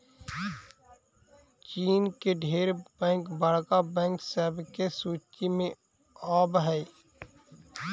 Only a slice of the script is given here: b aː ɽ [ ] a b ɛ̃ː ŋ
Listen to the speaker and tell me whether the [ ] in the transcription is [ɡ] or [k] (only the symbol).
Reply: k